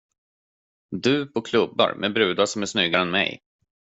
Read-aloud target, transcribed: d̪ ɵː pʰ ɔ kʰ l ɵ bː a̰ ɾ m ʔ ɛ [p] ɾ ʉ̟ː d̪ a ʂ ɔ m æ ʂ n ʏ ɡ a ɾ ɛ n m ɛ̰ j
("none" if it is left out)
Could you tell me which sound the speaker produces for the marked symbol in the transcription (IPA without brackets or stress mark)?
b